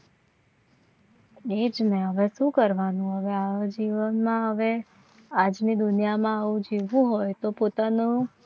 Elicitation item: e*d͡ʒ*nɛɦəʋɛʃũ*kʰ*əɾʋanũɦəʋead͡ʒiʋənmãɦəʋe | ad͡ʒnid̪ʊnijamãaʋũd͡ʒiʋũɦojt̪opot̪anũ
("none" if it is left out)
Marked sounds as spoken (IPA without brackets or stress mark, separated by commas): d͡ʒ, k